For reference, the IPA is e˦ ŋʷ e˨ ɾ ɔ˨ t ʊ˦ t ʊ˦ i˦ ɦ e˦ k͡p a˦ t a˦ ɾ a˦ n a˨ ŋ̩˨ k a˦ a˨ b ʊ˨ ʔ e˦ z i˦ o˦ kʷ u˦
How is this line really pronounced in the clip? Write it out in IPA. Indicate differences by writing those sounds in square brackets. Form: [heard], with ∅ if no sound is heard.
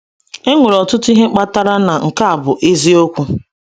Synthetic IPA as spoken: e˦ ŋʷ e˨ ɾ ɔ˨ t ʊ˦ t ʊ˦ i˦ ɦ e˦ k͡p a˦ t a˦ ɾ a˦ n a˨ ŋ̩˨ k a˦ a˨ b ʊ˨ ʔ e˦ z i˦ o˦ kʷ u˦